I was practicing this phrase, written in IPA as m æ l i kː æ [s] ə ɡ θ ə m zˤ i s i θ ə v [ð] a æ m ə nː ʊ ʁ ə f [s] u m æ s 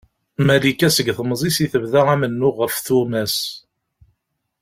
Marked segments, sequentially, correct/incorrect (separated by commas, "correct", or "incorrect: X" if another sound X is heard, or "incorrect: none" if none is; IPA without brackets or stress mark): correct, correct, incorrect: θ